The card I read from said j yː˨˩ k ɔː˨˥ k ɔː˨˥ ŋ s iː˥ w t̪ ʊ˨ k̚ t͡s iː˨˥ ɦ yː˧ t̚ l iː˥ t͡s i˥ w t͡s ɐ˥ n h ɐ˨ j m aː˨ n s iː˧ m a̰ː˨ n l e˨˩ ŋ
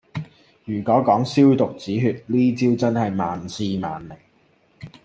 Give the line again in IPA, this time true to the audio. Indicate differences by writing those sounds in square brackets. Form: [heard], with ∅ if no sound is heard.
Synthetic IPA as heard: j yː˨˩ k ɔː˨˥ k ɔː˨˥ ŋ s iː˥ w t̪ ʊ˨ k̚ t͡s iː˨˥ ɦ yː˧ t̚ l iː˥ t͡s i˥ w t͡s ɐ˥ n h ɐ˨ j m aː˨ n s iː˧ m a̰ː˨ n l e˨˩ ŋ